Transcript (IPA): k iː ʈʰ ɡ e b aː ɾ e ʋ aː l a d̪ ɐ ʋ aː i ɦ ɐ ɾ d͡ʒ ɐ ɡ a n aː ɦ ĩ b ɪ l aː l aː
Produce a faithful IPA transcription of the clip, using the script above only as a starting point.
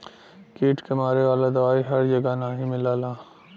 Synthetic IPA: k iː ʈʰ k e m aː ɾ e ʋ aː l a d̪ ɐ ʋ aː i ɦ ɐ ɾ d͡ʒ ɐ ɡ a n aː ɦ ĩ m ɪ l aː l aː